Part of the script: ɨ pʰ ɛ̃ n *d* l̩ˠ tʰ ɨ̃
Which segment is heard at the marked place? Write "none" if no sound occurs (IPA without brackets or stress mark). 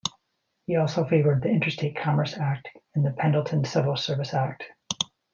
d